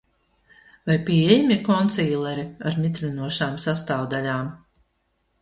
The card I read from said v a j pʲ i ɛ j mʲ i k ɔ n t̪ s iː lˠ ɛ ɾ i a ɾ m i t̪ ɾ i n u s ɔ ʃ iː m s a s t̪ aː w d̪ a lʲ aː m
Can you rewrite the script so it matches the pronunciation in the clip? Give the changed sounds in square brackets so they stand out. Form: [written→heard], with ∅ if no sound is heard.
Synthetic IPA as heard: v a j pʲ i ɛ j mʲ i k ɔ n t̪ s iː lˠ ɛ ɾ i a ɾ m i t̪ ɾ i n u [s→∅] ɔ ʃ [iː→aː] m s a s t̪ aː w d̪ a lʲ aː m